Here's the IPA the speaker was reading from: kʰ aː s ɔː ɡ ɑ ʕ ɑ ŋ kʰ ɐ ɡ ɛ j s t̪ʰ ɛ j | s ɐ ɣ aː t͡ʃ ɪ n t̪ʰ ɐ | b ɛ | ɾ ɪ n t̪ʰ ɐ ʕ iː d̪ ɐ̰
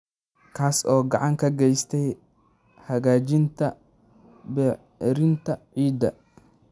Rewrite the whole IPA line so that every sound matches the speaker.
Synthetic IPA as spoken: kʰ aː s ɔː ɡ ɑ ʕ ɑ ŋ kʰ ɐ ɡ ɛ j s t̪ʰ ɛ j | h ɐ ɣ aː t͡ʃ ɪ n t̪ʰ ɐ | b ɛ | ɾ ɪ n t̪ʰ ɐ ʕ iː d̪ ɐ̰

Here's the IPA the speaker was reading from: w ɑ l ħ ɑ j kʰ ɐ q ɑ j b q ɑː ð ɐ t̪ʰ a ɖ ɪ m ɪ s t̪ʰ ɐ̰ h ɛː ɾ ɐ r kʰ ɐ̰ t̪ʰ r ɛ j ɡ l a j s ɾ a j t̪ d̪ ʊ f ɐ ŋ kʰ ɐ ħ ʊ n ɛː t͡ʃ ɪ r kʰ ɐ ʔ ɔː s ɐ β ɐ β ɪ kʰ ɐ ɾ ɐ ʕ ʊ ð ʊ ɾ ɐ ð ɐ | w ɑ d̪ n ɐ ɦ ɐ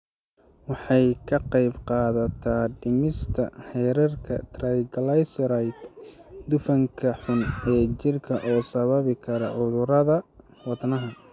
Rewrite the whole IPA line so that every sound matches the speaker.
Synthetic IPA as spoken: w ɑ ħ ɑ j kʰ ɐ q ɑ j b q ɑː ð ɐ t̪ʰ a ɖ ɪ m ɪ s t̪ʰ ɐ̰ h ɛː ɾ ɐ r kʰ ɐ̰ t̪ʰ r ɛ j ɡ l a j s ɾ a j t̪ d̪ ʊ f ɐ ŋ kʰ ɐ ħ ʊ n ɛː t͡ʃ ɪ r kʰ ɐ ʔ ɔː s ɐ β ɐ β ɪ kʰ ɐ ɾ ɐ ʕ ʊ ð ʊ ɾ ɐ ð ɐ | w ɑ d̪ n ɐ ɦ ɐ

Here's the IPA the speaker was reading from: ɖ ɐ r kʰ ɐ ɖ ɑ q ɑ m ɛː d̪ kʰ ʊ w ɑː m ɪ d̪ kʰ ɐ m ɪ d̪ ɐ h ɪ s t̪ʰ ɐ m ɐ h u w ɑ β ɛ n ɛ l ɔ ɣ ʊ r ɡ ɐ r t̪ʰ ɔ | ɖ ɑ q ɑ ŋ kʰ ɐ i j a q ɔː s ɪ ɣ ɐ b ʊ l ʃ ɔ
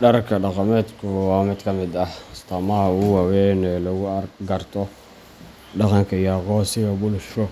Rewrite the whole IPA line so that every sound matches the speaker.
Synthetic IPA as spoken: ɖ ɐ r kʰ ɐ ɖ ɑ q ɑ m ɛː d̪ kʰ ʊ w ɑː m ɪ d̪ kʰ ɐ m ɪ d̪ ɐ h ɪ s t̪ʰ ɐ m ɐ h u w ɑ w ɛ n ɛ l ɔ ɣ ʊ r ɡ ɐ r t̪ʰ ɔ | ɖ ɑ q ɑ ŋ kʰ ɐ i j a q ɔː s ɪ ɣ ɐ b ʊ l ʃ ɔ

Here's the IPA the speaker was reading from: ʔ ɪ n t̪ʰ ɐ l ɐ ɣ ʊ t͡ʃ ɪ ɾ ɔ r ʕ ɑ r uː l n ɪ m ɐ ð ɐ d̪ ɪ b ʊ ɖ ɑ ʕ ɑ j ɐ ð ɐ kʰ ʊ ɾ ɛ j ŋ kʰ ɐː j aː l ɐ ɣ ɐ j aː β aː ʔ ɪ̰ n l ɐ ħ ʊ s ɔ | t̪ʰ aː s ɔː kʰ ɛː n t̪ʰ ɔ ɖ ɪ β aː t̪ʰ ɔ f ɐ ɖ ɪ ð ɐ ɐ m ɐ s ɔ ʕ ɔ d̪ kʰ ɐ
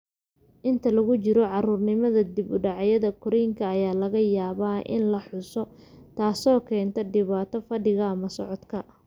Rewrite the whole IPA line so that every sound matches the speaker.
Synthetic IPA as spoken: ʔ ɪ n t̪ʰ ɐ l ɐ ɣ ʊ t͡ʃ ɪ ɾ ɔ ʕ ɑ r uː r n ɪ m ɐ ð ɐ d̪ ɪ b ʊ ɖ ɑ ʕ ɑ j ɐ ð ɐ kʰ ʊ ɾ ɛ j ŋ kʰ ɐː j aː l ɐ ɣ ɐ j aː β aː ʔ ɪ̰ n l ɐ ħ ʊ s ɔ | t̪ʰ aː s ɔː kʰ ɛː n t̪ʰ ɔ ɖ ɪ β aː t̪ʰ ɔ f ɐ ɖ ɪ ɣ ɐ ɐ m ɐ s ɔ ʕ ɔ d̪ kʰ ɐ

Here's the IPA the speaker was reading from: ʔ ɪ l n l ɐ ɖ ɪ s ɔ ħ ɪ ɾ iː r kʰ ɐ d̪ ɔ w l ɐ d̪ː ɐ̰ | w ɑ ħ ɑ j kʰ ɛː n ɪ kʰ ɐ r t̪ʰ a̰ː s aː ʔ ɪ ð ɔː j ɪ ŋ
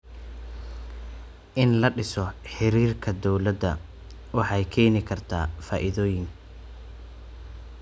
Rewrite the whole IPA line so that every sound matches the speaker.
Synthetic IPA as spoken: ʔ ɪ n l ɐ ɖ ɪ s ɔ ħ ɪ ɾ iː r kʰ ɐ d̪ ɔ w l ɐ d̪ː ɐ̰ | w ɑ ħ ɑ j kʰ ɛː n ɪ kʰ ɐ r t̪ʰ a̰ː f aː ʔ ɪ ð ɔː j ɪ ŋ

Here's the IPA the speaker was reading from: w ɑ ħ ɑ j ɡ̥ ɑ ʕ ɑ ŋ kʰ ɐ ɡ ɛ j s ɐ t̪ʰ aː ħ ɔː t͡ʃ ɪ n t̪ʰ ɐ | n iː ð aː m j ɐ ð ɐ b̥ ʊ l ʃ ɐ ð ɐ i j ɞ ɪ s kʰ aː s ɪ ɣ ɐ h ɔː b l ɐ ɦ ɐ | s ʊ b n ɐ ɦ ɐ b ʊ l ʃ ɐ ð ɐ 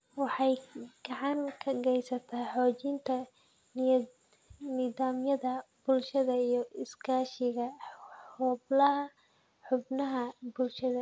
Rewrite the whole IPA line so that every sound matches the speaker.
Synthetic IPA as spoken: w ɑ ħ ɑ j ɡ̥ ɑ ʕ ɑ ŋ kʰ ɐ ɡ ɛ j s ɐ t̪ʰ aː ħ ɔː t͡ʃ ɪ n t̪ʰ ɐ | n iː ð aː m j ɐ ð ɐ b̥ ʊ l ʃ ɐ ð ɐ i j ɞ ɪ s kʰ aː ʃ ɪ ɣ ɐ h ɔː b l ɐ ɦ ɐ | ħ ʊ b n ɐ ɦ ɐ b ʊ l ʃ ɐ ð ɐ

